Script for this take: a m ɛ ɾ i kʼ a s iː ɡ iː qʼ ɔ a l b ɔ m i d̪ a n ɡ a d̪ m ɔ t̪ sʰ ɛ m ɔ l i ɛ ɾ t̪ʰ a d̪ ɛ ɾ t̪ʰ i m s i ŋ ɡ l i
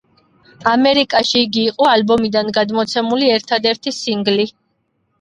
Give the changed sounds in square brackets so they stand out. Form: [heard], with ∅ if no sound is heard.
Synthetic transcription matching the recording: a m ɛ ɾ i kʼ a [ʃ] iː ɡ iː qʼ ɔ a l b ɔ m i d̪ a n ɡ a d̪ m ɔ t̪ sʰ ɛ m [u] l i ɛ ɾ t̪ʰ a d̪ ɛ ɾ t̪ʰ i [∅] s i ŋ ɡ l i

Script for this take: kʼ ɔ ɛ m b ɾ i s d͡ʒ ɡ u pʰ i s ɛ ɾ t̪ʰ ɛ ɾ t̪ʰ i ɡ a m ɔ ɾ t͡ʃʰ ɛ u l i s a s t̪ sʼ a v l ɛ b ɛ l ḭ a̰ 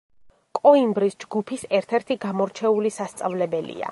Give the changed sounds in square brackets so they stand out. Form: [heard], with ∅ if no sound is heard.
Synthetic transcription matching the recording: kʼ ɔ [i] m b ɾ i s d͡ʒ ɡ u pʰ i s ɛ ɾ t̪ʰ ɛ ɾ t̪ʰ i ɡ a m ɔ ɾ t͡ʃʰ ɛ u l i s a s t̪ sʼ a v l ɛ b ɛ l ḭ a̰

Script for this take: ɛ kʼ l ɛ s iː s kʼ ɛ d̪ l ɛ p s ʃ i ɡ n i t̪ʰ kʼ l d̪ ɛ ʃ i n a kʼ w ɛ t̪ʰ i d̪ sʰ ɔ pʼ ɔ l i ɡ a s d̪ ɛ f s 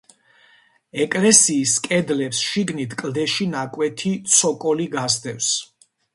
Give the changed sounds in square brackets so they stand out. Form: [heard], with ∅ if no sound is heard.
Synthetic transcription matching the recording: ɛ kʼ l ɛ s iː s kʼ ɛ d̪ l ɛ p s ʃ i ɡ n i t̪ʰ kʼ l d̪ ɛ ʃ i n a kʼ w ɛ t̪ʰ i [t̪] sʰ ɔ [kʼ] ɔ l i ɡ a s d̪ ɛ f s

